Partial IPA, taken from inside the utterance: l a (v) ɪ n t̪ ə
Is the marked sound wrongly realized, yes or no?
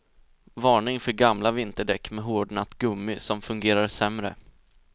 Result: no